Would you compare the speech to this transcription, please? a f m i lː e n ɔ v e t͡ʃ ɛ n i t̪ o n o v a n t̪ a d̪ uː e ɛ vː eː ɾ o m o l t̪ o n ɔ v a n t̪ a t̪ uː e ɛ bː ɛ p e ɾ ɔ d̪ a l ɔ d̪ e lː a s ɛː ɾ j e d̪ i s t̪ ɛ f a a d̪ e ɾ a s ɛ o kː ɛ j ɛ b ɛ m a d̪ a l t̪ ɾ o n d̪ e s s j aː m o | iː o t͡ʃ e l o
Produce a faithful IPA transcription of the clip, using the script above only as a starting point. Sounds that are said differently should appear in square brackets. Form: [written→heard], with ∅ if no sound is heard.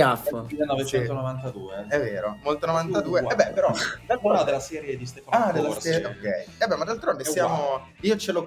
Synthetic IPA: a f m i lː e n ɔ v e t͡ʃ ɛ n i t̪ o n o v a n t̪ a d̪ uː e ɛ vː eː ɾ o m o l t̪ o n [ɔ→o] v a n t̪ a [t̪→d̪] uː e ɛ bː ɛ p e ɾ ɔ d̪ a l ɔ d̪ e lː a s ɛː ɾ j e d̪ i s t̪ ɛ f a a d̪ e [ɾ→l] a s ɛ o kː ɛ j ɛ b ɛ m a d̪ a l t̪ ɾ o n d̪ e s s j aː m o | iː o t͡ʃ e l o